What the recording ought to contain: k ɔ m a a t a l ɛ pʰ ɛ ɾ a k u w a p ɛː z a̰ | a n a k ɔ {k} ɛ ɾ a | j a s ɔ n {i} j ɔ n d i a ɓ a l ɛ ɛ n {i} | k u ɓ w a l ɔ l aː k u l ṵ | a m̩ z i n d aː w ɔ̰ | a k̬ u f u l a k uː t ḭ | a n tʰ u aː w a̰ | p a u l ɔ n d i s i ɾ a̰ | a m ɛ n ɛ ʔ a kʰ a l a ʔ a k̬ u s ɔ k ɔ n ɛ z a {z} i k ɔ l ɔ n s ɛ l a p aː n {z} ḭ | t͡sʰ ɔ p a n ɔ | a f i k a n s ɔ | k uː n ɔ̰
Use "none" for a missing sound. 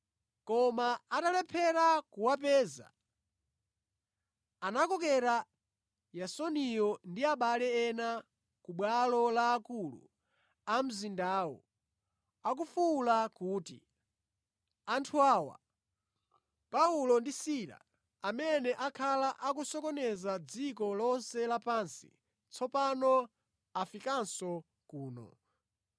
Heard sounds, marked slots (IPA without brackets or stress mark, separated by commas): k, i, a, d͡z, s